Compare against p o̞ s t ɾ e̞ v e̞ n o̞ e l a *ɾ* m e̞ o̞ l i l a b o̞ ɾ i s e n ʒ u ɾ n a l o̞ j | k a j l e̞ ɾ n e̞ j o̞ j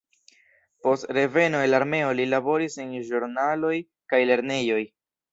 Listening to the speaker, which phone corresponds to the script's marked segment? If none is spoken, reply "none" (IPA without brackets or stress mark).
ɾ